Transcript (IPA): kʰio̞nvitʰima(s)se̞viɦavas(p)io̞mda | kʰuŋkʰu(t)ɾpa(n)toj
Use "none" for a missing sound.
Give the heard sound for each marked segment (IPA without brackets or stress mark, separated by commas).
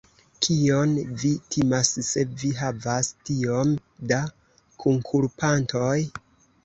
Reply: s, t, none, n